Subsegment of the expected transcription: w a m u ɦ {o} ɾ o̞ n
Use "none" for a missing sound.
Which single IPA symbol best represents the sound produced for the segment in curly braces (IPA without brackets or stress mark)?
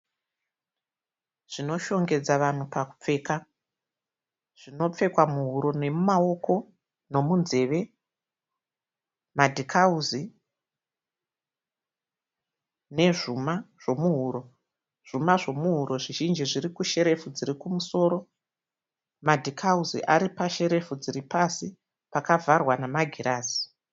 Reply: u